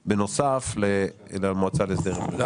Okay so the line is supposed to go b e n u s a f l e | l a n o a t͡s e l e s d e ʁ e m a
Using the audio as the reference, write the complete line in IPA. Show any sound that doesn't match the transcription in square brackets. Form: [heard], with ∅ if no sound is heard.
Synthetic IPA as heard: b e n [o] s a f l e | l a [m] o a t͡s [a] l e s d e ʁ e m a